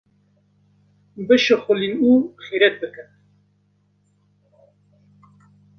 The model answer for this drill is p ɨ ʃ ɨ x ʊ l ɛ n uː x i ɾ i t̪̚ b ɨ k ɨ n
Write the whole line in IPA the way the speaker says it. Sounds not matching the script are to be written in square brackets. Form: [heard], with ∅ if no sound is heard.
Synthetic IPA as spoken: [b] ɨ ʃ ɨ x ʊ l [i] n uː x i ɾ [ɛ] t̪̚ b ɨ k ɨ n